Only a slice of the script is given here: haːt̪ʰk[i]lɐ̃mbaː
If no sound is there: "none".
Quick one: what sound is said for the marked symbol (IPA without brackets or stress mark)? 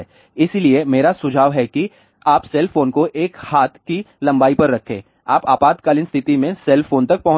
i